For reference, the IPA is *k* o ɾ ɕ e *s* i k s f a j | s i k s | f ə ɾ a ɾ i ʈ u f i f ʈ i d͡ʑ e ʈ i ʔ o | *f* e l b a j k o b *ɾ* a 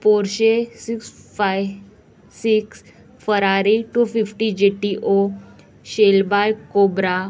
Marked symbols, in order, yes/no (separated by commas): no, yes, no, yes